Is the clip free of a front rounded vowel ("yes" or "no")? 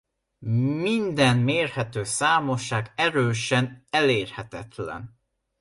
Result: no